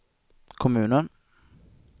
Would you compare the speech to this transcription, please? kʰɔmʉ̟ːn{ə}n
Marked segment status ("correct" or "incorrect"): correct